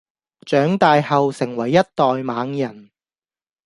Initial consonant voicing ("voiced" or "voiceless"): voiceless